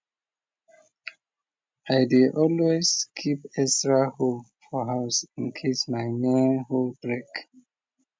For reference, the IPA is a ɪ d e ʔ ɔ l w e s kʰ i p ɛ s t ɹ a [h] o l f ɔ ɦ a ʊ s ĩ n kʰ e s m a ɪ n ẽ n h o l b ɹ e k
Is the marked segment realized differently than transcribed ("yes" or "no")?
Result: no